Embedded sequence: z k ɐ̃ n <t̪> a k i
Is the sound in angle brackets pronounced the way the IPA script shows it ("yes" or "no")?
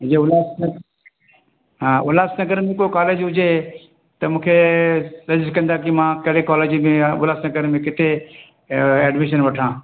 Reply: no